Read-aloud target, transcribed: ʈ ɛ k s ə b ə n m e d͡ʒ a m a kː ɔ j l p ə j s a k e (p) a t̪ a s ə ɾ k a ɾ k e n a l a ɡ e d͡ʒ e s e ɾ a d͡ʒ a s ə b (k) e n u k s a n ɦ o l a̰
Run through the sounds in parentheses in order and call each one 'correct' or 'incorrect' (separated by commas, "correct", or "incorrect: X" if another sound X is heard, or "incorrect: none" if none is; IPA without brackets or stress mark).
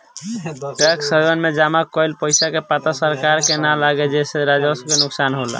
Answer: correct, correct